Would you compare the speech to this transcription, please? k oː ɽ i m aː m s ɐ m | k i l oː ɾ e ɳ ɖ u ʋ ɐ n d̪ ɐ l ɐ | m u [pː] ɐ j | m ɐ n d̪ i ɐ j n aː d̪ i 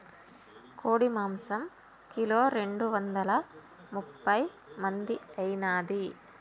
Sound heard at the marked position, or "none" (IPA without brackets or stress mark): pː